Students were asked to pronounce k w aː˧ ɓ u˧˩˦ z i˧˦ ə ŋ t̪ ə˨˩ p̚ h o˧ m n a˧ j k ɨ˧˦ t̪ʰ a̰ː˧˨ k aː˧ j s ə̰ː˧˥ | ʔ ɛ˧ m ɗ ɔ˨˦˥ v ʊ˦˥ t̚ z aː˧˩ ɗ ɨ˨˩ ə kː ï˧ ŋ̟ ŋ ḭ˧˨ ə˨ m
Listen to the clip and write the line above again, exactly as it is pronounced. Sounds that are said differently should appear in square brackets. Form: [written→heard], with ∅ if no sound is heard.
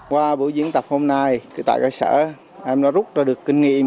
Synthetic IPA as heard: k w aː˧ ɓ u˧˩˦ z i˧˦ ə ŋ t̪ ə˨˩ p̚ h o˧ m n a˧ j k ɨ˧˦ [t̪ʰ→t̪] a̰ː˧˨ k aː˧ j s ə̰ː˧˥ | ʔ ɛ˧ m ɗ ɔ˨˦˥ [v→z] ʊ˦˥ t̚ z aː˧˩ ɗ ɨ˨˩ ə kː ï˧ ŋ̟ ŋ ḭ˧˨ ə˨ m